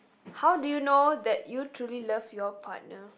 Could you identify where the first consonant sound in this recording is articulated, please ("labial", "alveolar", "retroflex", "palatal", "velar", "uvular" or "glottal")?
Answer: glottal